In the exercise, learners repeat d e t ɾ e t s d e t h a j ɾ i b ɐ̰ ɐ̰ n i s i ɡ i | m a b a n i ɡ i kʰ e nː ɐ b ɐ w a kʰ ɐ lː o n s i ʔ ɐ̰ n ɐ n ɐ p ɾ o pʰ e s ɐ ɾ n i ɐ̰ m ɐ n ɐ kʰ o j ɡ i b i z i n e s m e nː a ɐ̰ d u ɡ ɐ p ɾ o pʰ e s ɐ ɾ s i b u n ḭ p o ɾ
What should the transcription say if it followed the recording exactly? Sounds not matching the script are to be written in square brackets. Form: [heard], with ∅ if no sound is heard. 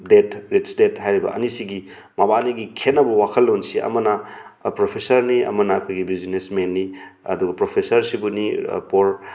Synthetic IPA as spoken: d e t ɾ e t s d e t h a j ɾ i b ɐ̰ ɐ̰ n i s i ɡ i | m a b a n i ɡ i kʰ e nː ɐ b ɐ w a kʰ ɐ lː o n s i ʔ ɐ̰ [m] ɐ n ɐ p ɾ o pʰ e s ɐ ɾ n i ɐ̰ m ɐ n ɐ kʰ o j ɡ i b i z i n e s m e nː [i] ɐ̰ d u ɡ ɐ p ɾ o pʰ e s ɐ ɾ s i b u n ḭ p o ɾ